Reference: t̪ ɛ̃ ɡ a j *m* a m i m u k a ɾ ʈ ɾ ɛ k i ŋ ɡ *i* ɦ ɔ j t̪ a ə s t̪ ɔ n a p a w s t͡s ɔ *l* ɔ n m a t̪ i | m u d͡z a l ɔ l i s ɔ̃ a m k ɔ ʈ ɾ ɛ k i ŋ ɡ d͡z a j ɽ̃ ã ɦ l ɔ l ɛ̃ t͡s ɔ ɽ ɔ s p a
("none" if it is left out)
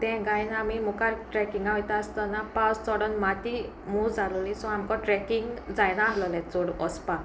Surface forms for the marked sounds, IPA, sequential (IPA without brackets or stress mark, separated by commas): n, a, ɽ